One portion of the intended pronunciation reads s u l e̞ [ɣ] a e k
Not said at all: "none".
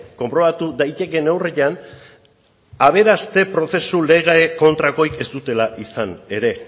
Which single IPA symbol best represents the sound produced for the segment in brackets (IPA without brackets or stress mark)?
ɣ